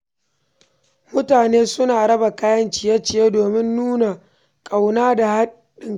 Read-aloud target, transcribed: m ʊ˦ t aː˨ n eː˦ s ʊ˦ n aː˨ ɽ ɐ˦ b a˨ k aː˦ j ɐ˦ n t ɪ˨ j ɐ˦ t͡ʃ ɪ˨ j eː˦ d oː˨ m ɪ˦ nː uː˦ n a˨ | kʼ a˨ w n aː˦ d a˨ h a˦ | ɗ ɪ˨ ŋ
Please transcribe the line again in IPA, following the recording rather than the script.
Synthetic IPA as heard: m ʊ˦ t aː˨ n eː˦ s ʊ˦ n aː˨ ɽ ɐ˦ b a˨ k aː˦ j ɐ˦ n t͡ʃ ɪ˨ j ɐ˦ t͡ʃ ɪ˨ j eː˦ d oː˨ m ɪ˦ nː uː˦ n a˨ | kʼ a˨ w n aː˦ d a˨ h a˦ | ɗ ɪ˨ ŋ